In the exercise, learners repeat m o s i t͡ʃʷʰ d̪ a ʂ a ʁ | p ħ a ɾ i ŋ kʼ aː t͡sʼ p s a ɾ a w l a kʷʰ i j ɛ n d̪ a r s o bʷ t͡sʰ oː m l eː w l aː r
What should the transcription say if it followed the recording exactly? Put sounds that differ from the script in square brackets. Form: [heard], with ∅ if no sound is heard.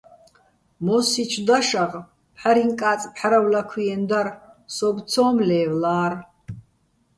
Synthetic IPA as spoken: m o s i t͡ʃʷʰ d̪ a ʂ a ʁ | p ħ a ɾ i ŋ kʼ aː t͡sʼ p [ħ] a ɾ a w l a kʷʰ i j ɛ n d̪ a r s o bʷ t͡sʰ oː m l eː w l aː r